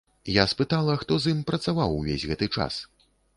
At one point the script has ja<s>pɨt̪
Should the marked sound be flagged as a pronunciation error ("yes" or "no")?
no